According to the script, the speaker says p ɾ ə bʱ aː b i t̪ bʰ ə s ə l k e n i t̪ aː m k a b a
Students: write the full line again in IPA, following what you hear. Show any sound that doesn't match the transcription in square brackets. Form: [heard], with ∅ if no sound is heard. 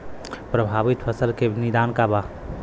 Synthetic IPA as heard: p ɾ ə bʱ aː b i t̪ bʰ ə s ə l k e n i [d̪] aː [n] k a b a